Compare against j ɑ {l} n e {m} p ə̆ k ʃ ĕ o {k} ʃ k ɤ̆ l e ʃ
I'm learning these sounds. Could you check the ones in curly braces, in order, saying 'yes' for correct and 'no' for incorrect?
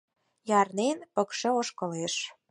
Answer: no, no, no

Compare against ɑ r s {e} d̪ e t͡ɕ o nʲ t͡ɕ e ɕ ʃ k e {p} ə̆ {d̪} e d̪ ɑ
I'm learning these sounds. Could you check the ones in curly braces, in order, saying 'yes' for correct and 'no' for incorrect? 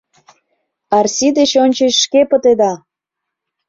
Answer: no, yes, no

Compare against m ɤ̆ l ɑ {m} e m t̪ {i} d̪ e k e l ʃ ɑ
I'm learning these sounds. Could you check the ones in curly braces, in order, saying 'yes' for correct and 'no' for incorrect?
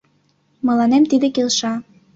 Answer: no, yes

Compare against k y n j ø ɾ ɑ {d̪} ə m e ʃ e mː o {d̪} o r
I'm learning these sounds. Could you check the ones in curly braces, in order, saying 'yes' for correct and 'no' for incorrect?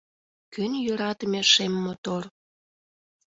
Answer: no, no

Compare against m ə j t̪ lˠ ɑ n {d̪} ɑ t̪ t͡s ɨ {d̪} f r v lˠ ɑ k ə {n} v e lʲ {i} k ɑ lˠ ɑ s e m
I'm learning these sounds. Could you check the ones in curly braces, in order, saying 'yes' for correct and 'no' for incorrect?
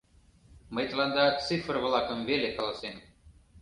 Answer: yes, no, no, no

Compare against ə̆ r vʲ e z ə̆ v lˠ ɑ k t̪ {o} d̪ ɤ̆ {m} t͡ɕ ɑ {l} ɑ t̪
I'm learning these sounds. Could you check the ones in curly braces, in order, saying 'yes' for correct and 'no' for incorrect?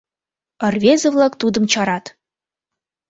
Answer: no, yes, no

